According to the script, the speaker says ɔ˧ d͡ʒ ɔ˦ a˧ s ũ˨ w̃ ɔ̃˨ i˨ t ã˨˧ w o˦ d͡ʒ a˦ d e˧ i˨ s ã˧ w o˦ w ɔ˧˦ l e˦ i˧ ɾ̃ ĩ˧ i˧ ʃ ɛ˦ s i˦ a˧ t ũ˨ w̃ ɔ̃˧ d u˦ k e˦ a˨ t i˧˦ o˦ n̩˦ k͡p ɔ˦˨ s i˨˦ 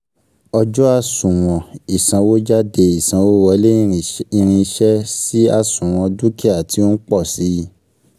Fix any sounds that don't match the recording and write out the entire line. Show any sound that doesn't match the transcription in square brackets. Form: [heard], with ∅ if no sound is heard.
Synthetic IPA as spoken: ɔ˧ d͡ʒ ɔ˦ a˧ s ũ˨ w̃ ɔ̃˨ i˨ [s] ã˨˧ w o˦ d͡ʒ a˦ d e˧ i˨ s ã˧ w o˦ w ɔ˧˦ l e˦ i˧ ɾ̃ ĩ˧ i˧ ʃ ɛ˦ s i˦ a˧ [s] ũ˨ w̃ ɔ̃˧ d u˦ k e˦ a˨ t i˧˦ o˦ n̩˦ k͡p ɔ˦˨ s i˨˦